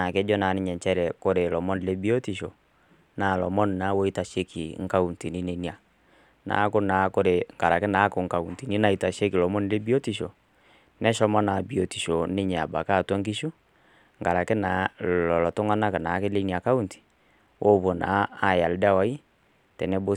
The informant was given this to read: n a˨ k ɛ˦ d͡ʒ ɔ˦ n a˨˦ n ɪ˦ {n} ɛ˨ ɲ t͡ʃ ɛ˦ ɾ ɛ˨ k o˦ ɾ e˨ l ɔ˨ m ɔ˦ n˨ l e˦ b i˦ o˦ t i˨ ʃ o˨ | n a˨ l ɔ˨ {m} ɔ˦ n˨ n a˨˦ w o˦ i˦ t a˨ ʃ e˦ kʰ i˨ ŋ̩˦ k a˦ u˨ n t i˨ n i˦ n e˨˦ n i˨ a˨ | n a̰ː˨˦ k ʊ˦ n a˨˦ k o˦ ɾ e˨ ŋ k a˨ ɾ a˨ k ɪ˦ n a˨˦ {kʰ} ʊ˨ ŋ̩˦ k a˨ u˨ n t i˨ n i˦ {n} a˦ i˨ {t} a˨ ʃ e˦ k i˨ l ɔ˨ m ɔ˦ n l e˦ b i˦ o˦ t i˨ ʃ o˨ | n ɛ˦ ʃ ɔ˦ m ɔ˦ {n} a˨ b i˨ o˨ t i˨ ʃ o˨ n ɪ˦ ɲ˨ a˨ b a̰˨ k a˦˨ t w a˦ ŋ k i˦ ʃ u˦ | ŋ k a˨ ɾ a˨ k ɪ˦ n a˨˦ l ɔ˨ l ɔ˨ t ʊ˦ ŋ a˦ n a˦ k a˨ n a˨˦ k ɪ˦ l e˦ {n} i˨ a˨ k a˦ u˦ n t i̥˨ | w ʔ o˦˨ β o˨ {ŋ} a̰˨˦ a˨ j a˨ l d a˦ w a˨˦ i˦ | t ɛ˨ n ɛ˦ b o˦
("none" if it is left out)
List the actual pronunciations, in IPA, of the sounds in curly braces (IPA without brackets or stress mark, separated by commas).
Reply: ɲ, m, k, n, t, n, n, n